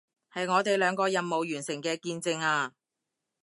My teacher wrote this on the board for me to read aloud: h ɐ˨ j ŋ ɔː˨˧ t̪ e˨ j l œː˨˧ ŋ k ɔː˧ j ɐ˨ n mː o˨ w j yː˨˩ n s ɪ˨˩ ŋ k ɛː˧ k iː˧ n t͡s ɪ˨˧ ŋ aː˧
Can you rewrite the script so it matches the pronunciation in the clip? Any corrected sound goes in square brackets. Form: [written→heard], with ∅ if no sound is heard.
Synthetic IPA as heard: h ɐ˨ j ŋ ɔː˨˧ t̪ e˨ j l œː˨˧ ŋ k ɔː˧ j ɐ˨ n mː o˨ w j yː˨˩ n s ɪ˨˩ ŋ k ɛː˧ k iː˧ n t͡s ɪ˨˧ ŋ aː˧